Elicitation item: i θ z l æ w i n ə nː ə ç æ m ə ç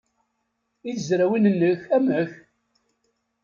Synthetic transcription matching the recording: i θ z ɾ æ w i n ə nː ə ç æ m ə ç